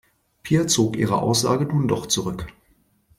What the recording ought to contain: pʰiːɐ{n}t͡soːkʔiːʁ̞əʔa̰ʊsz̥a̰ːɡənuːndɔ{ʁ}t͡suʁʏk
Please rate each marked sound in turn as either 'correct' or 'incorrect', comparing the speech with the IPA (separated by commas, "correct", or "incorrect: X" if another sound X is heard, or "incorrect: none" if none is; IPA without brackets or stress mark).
incorrect: none, incorrect: χ